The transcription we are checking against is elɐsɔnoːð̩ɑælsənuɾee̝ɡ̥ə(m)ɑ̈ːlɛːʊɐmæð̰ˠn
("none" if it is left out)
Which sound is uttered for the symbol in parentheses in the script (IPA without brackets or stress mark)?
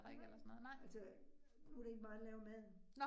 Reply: m